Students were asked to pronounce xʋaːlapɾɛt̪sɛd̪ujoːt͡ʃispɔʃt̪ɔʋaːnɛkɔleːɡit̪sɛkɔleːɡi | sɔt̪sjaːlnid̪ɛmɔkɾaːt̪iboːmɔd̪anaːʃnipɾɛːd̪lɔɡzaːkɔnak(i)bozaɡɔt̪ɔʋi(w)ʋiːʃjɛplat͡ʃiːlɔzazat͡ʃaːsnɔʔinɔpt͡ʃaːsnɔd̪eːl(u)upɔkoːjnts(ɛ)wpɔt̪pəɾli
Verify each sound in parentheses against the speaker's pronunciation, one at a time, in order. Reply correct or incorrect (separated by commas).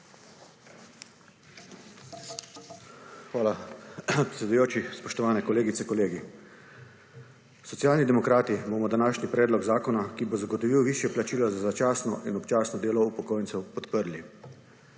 correct, correct, incorrect, correct